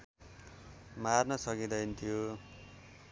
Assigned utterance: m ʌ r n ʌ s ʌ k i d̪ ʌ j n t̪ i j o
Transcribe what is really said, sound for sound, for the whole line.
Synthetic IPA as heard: m a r n ʌ s ʌ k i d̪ ʌ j n t̪ʰ i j o

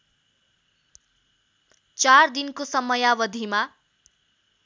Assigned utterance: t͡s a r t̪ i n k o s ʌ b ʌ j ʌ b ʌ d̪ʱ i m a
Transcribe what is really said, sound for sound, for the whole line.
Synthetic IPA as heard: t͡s a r d̪ i n k o s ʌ m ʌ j a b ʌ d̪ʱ i m a

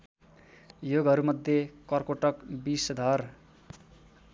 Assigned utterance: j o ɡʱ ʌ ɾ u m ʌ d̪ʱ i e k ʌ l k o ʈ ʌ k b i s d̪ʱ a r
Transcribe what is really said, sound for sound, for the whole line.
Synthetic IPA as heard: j o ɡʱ ʌ ɾ u m ʌ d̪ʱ j e k ʌ r k o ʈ ʌ k b i s d̪ʱ ʌ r

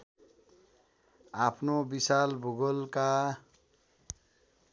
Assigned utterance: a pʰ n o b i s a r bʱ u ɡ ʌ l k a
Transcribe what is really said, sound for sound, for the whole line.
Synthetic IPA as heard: a pʰ n o b i s a l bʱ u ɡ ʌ l k a

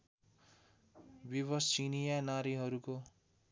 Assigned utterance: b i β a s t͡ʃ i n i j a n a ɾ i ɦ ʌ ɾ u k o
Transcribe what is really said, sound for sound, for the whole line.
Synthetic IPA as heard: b i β ʌ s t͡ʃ i n i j a n a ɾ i ɦ ʌ ɾ u k o

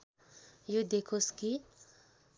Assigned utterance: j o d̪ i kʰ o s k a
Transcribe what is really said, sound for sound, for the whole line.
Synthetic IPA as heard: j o d̪ e kʰ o s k i

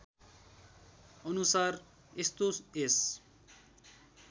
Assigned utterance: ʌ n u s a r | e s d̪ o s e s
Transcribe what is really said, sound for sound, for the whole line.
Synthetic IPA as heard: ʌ n u s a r | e s t̪ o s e s

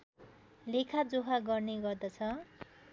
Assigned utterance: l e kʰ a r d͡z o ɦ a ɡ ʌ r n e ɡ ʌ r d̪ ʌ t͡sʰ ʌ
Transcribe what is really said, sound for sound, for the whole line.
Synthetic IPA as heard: l e kʰ a d͡z o ɦ a ɡ ʌ r n e ɡ ʌ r d̪ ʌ t͡sʰ ʌ

